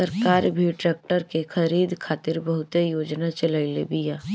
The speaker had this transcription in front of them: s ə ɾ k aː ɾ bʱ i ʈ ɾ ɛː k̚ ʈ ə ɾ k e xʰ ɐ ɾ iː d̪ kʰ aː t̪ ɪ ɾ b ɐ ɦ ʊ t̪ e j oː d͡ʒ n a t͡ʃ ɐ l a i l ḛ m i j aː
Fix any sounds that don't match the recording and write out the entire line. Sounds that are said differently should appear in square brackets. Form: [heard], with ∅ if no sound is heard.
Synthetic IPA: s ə ɾ k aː ɾ bʱ i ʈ ɾ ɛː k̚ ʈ ə ɾ k e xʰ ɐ ɾ iː d̪ kʰ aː t̪ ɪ ɾ b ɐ ɦ ʊ t̪ e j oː d͡ʒ n a t͡ʃ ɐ l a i l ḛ [b] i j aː